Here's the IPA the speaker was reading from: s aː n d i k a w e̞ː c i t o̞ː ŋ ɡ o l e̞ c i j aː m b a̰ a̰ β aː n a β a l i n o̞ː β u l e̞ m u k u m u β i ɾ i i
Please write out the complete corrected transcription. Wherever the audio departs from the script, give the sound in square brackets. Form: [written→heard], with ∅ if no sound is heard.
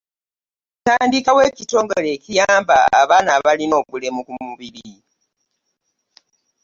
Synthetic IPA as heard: [s→t] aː n d i k a w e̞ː c i t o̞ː ŋ ɡ o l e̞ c i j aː m b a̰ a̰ β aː n a β a l i n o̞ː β u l e̞ m u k u m u β i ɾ i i